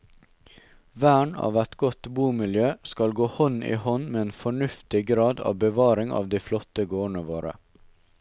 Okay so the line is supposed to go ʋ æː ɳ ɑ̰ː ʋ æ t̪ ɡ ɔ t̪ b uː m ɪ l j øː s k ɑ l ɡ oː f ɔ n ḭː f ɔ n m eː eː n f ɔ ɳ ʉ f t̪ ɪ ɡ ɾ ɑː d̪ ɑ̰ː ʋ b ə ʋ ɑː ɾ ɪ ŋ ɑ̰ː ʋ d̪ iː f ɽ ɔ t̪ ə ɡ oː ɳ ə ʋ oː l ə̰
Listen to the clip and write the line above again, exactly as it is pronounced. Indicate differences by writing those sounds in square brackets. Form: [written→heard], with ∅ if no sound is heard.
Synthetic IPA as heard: ʋ æː ɳ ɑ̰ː ʋ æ t̪ ɡ ɔ t̪ b uː m ɪ l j øː s k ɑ l ɡ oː [f→h] ɔ n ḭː [f→h] ɔ n m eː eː n f ɔ ɳ ʉ f t̪ ɪ ɡ ɾ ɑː d̪ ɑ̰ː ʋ b ə ʋ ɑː ɾ ɪ ŋ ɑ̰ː ʋ d̪ iː f [ɽ→l] ɔ t̪ ə ɡ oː ɳ ə ʋ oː [l→ɾ] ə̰